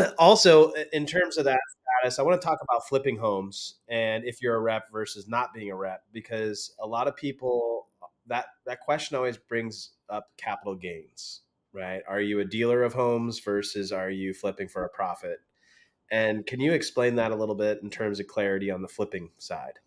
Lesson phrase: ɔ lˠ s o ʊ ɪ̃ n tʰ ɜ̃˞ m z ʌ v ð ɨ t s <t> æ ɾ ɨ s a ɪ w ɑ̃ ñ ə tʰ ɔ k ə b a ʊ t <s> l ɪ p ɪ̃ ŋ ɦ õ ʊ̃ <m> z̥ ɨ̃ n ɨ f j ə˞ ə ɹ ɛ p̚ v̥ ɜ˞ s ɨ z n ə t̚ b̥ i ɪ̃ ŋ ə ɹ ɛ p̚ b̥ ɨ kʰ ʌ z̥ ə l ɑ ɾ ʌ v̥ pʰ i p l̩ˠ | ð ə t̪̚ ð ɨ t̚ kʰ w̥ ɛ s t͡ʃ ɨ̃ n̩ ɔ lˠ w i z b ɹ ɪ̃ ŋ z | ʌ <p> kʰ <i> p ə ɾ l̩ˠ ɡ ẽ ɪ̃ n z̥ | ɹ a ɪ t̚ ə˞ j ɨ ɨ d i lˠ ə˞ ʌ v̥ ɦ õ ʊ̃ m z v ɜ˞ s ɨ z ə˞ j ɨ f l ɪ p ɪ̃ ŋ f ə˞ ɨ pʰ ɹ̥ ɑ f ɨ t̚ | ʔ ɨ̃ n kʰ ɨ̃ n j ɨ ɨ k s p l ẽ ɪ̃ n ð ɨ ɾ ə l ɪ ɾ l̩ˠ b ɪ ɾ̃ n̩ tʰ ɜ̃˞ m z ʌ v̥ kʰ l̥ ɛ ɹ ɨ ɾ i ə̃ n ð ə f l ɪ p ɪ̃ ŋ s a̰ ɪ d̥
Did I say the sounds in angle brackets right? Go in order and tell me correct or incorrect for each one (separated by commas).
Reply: correct, incorrect, correct, correct, incorrect